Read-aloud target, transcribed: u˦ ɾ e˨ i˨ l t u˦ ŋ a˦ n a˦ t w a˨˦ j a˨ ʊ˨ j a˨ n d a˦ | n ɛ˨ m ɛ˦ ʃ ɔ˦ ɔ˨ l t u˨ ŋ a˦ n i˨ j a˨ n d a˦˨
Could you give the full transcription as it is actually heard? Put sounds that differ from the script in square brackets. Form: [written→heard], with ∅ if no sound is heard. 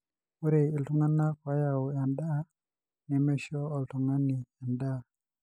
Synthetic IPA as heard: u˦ ɾ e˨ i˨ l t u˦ ŋ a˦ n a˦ [t→k] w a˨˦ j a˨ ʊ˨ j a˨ n d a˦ | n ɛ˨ m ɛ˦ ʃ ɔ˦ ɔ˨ l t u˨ ŋ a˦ n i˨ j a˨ n d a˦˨

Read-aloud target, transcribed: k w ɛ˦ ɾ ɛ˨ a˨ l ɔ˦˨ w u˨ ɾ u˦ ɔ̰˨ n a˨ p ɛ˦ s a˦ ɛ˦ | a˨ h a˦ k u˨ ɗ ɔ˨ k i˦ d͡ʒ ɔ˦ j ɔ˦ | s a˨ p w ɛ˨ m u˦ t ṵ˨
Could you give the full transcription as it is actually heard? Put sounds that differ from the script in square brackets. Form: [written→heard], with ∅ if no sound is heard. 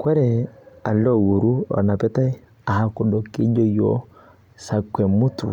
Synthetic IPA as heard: k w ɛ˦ ɾ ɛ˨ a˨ l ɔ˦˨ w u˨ ɾ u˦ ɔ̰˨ n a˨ p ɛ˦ [s→t] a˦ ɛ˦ | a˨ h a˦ k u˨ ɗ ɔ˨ k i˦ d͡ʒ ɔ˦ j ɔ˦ | s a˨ [p→k] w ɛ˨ m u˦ t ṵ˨

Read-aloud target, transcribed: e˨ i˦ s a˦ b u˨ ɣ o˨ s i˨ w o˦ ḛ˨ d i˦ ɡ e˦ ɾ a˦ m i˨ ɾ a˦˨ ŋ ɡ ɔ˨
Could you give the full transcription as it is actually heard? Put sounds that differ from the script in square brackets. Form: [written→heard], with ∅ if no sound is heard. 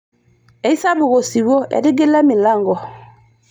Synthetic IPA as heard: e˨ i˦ s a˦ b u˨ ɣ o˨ s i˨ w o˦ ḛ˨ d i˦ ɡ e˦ [ɾ→l] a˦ m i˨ [ɾ→l] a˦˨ ŋ ɡ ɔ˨

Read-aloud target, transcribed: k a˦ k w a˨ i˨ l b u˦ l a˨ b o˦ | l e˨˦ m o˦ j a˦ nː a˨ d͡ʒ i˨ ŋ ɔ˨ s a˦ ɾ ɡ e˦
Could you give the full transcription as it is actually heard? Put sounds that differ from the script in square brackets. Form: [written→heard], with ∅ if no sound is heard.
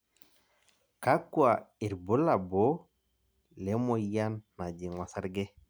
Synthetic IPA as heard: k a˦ k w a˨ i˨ [l→ɾ] b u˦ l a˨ b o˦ | l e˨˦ m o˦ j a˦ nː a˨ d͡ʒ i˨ ŋ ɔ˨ s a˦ ɾ ɡ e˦

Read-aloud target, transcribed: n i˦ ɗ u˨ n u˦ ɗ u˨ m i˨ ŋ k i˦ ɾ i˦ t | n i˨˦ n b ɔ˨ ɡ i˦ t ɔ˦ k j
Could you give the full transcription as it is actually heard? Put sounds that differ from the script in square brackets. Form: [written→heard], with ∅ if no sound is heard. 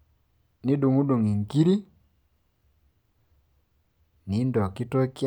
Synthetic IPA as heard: n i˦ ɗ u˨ [n→ŋ] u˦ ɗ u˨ [m→ŋ] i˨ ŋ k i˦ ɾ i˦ [t→∅] | n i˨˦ n [b→d] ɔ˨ [ɡ→k] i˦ t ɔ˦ k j

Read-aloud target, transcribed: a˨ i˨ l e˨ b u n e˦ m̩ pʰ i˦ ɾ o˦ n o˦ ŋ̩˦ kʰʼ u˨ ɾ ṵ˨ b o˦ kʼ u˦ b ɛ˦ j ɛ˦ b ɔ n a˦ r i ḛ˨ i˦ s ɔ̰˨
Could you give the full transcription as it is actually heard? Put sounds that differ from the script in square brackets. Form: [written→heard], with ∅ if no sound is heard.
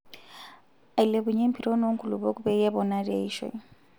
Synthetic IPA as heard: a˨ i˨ l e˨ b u [n→ɲ] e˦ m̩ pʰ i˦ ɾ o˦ n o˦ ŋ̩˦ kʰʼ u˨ [ɾ→l] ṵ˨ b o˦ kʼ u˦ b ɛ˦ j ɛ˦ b ɔ n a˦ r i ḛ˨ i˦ [s→ʃ] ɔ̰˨

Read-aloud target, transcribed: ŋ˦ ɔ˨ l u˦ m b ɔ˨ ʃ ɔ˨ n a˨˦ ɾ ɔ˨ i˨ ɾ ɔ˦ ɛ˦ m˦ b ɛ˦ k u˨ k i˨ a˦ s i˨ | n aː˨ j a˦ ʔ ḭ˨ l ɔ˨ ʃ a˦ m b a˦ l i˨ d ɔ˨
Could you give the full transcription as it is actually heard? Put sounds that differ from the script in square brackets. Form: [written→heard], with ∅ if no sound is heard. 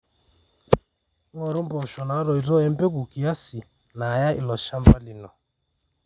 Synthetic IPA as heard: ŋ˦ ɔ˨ [l→ɾ] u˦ m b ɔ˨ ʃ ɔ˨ n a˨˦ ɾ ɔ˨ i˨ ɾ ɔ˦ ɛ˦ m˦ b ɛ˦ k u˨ k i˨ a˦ s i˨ | n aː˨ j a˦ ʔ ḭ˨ l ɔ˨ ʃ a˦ m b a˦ l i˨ [d→n] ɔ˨

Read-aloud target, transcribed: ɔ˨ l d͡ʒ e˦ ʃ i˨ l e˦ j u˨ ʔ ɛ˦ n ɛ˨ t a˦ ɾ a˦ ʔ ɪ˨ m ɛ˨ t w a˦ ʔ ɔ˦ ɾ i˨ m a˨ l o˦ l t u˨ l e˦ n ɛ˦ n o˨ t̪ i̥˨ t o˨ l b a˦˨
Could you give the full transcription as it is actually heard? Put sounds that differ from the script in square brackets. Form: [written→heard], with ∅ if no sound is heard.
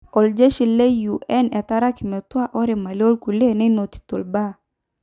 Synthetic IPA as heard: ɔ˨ l d͡ʒ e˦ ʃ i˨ l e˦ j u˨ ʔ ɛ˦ n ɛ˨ t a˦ ɾ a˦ [ʔ→k] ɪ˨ m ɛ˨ t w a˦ ʔ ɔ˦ ɾ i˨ m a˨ l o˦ l [t→k] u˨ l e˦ n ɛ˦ n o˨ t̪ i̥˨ t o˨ l b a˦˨

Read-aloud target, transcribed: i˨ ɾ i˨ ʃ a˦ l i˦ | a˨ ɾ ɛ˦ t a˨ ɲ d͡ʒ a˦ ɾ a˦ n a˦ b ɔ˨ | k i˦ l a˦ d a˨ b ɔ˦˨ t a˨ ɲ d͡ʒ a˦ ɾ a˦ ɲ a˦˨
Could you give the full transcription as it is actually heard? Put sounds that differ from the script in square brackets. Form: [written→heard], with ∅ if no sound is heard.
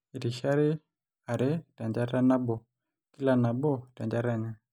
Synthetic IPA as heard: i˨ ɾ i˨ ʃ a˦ [l→ɾ] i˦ | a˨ ɾ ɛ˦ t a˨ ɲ d͡ʒ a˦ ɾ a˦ n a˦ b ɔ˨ | k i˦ l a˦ [d→n] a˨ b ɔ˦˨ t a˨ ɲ d͡ʒ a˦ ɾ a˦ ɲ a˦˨

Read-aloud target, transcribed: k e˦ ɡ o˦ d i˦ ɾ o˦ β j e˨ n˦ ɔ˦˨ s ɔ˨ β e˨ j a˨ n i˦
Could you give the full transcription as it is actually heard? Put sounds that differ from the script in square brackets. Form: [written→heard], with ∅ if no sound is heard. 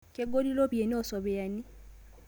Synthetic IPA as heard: k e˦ ɡ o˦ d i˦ [ɾ→l] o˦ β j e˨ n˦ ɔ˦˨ s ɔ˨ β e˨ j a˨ n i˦

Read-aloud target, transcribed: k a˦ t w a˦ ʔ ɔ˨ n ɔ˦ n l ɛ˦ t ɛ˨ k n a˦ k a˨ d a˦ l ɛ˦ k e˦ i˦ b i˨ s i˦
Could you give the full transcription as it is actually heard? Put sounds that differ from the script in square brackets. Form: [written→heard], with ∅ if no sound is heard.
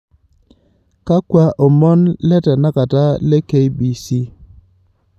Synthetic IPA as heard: k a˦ [t→k] w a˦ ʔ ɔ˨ [n→m] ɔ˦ n l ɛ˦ t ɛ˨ [k→∅] n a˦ k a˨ [d→t] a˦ l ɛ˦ k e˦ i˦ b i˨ s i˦

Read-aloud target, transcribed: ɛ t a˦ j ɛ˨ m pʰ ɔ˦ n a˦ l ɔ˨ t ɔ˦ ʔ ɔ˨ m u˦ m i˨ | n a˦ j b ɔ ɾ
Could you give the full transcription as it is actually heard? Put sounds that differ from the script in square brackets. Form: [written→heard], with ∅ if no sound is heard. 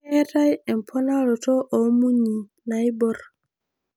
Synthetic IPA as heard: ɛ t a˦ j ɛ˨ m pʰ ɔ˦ n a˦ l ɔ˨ t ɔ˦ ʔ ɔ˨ m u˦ [m→ɲ] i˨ | n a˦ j b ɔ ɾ

